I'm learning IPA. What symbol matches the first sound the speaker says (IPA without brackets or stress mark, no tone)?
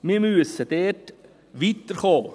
m